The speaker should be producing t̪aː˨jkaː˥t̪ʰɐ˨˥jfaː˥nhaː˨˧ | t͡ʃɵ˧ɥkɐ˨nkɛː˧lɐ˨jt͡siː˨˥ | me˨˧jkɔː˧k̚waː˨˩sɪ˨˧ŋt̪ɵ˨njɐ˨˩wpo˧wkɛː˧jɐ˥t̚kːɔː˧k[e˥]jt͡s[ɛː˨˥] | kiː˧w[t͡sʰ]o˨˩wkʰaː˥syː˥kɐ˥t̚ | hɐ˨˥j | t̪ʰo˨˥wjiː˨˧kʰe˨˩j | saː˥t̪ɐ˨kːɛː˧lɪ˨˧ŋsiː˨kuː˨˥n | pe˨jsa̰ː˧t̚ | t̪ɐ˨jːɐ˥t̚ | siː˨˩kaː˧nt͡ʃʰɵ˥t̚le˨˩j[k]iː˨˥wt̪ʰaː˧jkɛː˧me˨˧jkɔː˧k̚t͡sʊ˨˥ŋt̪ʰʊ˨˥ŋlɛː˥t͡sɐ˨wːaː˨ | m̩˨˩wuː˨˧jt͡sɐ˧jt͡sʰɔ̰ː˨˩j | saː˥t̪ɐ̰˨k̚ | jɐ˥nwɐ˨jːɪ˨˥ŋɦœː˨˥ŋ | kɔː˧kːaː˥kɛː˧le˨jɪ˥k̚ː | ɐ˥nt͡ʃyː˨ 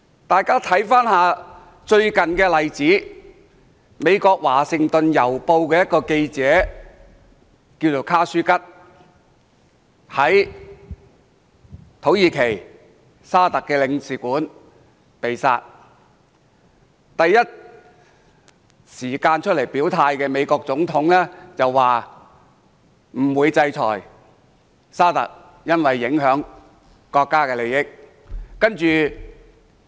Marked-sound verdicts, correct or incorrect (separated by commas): incorrect, correct, incorrect, incorrect